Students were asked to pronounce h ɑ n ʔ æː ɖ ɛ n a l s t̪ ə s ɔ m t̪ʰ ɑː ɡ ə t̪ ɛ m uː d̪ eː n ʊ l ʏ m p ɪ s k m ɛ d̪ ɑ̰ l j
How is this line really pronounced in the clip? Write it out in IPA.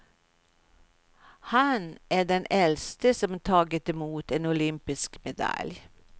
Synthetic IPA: h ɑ n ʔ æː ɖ ɛ n ɛ l s t̪ ə s ɔ m t̪ʰ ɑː ɡ ə t̪ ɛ m uː t̪ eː n ʊ l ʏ m p ɪ s k m ɛ d̪ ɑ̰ l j